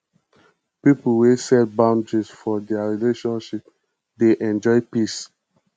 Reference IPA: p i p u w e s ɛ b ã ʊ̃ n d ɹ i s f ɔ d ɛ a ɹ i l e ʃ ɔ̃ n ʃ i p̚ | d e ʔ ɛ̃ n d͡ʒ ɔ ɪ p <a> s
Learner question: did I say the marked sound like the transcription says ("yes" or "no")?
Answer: no